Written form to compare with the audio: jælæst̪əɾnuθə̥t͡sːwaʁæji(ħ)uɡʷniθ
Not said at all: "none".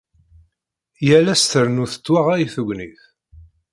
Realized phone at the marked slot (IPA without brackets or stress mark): θ